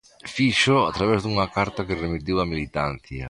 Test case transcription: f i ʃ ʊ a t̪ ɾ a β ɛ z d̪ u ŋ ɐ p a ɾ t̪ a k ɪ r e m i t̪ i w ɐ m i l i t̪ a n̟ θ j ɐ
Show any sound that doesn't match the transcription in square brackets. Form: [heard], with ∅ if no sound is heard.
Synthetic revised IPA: f i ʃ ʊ a t̪ ɾ a β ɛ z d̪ u ŋ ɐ [k] a ɾ t̪ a k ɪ r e m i t̪ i w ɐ m i l i t̪ a n̟ θ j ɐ